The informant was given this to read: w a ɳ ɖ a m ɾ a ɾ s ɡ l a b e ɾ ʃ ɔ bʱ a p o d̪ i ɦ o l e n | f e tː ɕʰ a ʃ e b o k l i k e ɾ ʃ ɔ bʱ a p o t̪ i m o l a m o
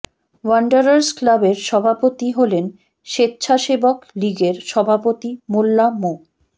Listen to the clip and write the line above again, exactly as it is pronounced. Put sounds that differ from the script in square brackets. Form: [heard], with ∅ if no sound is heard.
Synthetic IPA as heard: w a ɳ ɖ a [∅] ɾ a ɾ s [k] l a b e ɾ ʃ ɔ bʱ a p o [t̪] i ɦ o l e n | [ʃ] e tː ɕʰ a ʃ e b o k l i [ɡ] e ɾ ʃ ɔ bʱ a p o t̪ i m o [lː] a m o